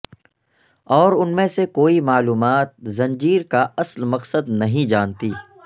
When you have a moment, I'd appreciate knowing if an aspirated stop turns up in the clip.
no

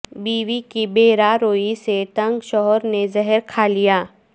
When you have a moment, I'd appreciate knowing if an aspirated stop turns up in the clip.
yes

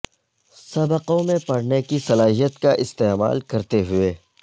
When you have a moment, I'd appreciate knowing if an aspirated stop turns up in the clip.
no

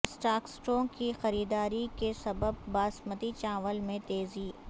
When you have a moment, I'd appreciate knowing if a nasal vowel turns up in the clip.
yes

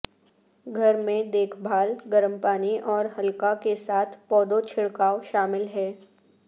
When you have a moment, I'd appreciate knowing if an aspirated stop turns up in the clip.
yes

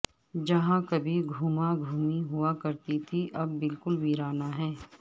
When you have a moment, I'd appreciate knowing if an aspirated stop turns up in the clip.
yes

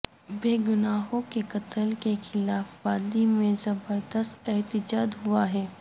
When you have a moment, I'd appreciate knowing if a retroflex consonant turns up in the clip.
no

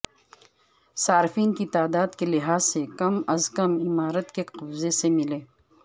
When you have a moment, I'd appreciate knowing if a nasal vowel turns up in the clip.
no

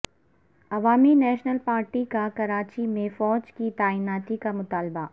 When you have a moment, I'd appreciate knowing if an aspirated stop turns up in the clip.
no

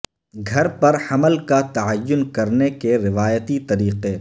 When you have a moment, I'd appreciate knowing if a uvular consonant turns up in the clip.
yes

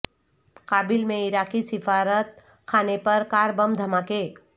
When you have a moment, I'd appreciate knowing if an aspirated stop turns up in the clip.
yes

